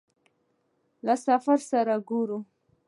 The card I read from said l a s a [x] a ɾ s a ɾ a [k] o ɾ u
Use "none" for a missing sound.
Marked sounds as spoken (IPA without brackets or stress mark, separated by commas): f, ɡ